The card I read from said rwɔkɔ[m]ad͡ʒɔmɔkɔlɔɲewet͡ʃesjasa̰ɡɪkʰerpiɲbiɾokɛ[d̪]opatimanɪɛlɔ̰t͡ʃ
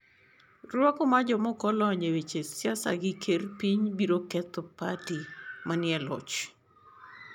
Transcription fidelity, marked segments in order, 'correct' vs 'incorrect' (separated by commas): correct, incorrect